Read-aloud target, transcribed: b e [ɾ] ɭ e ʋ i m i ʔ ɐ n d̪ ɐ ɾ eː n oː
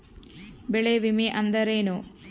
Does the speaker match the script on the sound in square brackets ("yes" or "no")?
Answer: no